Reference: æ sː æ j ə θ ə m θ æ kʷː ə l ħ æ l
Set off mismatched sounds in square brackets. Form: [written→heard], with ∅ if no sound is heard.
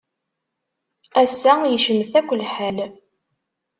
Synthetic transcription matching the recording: æ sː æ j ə [θ→ʃ] ə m θ æ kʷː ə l ħ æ l